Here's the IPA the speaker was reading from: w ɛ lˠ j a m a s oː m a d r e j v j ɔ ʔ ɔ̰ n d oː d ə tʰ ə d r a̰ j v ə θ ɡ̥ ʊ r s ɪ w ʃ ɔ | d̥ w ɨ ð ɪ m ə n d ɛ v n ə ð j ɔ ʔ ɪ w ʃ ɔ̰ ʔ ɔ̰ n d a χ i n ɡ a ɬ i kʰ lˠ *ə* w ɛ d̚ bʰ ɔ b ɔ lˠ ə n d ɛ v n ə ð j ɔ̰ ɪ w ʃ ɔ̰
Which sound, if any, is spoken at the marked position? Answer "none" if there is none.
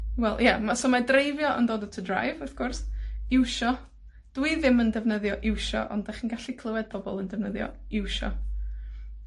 ə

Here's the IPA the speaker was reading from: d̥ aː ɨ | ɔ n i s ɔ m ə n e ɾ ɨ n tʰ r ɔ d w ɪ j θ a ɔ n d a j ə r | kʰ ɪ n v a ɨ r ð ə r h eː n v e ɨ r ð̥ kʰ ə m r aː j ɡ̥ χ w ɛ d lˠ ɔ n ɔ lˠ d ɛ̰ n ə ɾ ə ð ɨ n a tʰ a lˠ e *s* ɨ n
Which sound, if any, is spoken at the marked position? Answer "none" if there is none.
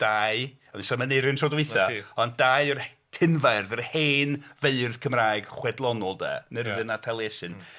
s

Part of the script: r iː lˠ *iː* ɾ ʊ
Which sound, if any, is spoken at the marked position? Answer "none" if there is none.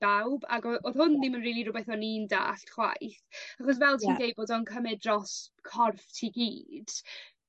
i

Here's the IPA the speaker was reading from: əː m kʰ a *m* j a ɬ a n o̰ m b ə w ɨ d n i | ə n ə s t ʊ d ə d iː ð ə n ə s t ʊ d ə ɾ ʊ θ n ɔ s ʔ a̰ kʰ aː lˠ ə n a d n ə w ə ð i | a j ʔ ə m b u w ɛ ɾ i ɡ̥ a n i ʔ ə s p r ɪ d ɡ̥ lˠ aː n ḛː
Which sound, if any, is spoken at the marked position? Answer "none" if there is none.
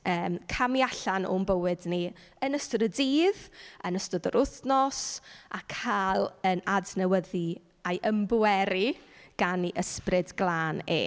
m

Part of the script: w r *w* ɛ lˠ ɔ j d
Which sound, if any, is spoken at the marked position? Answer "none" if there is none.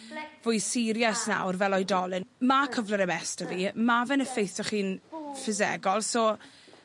v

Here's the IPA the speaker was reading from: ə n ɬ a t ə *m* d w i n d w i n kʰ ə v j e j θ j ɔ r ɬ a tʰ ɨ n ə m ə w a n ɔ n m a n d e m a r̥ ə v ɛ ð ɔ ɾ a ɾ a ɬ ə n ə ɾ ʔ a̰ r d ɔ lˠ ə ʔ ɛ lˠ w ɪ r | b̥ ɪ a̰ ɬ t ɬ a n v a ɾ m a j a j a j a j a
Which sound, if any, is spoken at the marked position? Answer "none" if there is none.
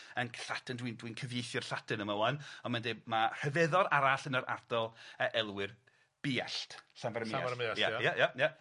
n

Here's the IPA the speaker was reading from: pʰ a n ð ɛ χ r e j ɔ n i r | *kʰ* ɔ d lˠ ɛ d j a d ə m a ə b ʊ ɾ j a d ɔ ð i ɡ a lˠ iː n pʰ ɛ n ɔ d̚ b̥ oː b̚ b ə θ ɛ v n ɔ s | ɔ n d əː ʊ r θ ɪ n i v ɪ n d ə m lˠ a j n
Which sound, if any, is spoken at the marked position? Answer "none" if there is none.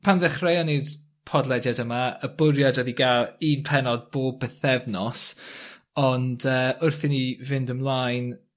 pʰ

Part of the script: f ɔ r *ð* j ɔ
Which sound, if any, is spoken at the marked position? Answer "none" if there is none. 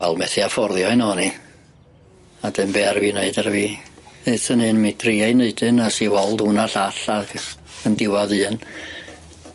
ð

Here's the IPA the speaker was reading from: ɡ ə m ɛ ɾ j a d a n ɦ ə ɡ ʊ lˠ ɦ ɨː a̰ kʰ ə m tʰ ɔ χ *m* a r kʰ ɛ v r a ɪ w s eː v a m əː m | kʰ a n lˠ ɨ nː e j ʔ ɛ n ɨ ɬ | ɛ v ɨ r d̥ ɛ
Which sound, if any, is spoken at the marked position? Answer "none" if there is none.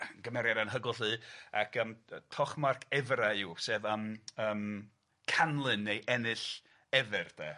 m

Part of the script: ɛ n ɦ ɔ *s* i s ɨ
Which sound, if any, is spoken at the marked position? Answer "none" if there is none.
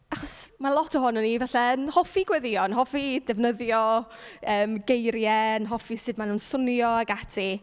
f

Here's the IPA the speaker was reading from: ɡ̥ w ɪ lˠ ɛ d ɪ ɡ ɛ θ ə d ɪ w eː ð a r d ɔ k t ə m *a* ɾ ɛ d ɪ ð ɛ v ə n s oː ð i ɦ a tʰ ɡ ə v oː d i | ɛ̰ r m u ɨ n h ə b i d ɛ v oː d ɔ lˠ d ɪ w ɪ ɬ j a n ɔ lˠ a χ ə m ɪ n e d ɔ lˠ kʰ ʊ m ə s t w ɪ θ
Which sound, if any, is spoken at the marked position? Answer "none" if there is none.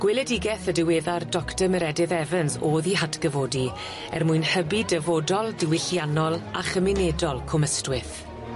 ə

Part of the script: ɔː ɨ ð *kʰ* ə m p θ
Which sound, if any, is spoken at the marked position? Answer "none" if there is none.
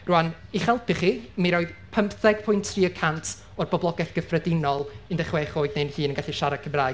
pʰ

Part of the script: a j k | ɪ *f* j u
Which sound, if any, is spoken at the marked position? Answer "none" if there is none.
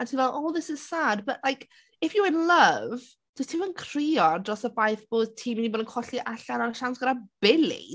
f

